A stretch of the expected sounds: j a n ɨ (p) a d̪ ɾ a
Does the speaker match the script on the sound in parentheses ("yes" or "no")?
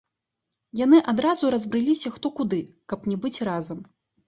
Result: no